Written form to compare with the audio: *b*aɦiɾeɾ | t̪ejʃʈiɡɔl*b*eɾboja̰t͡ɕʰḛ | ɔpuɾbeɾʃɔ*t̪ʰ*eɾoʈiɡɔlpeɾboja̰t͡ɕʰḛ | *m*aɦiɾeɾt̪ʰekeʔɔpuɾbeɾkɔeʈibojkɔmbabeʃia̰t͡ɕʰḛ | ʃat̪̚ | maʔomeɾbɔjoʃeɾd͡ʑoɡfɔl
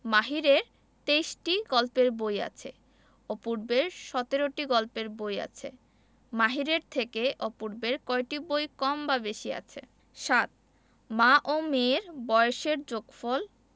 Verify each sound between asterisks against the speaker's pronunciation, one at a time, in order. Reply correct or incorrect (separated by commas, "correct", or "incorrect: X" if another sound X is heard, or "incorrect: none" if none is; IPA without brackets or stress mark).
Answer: incorrect: m, incorrect: p, incorrect: t̪, correct